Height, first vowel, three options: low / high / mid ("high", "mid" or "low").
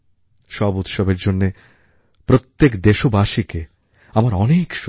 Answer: mid